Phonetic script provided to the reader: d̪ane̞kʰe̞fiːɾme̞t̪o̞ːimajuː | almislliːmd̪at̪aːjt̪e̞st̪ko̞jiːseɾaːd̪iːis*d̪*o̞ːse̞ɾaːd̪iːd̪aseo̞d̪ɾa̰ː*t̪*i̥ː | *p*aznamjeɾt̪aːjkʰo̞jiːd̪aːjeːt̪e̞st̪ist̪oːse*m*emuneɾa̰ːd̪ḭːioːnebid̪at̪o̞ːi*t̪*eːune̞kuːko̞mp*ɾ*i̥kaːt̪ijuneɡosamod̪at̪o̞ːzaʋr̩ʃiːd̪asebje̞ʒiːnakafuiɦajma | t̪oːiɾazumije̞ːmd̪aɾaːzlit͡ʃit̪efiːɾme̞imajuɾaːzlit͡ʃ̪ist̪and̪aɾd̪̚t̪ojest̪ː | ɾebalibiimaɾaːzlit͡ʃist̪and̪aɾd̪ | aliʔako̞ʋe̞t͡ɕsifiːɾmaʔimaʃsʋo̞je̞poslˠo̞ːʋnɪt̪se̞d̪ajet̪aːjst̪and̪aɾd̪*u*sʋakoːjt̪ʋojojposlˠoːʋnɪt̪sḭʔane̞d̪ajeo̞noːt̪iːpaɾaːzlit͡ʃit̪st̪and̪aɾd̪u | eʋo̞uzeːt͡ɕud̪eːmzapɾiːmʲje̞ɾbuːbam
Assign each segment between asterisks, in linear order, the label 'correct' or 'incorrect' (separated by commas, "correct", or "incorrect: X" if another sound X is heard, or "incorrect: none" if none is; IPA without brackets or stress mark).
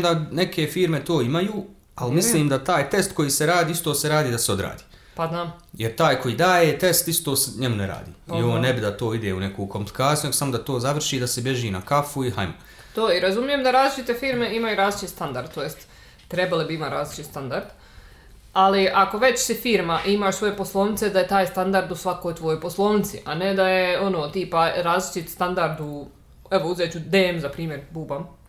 incorrect: t̪, incorrect: d̪, correct, incorrect: ɲ, incorrect: d̪, incorrect: l, correct